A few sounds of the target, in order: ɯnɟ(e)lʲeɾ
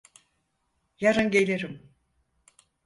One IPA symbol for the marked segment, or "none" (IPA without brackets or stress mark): e